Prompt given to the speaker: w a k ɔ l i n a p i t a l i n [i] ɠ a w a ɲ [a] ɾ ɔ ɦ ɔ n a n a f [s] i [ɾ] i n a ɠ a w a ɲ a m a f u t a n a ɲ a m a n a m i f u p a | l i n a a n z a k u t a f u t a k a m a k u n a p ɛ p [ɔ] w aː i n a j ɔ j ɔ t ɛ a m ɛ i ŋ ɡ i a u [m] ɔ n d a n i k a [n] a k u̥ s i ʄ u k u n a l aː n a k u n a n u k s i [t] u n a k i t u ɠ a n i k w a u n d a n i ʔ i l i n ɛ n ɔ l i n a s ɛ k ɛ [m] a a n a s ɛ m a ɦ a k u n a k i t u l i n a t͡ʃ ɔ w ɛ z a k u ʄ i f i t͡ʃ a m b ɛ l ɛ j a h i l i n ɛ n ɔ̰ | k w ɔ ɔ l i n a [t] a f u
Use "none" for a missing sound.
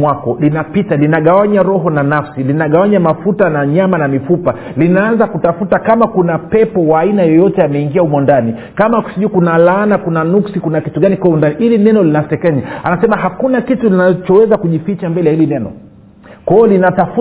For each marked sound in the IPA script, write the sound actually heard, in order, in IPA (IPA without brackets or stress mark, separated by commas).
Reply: a, a, s, l, ɔ, m, m, k, ɲ, t